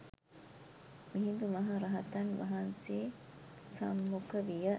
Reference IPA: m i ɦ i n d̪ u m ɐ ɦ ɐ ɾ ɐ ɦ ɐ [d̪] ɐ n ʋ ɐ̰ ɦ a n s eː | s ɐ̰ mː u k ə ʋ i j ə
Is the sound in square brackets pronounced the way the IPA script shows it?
no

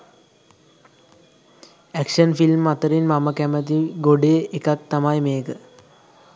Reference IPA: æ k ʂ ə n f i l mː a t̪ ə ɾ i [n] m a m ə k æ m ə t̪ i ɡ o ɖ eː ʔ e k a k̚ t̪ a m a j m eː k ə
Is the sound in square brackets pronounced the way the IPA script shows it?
yes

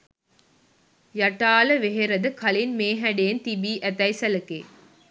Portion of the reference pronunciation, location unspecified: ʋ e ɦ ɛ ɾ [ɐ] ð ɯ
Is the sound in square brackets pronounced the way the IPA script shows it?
yes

